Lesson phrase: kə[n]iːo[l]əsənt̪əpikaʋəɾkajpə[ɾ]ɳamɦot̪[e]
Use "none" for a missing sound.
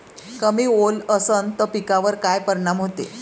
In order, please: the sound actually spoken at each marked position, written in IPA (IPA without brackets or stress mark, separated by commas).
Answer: m, l, ɾ, e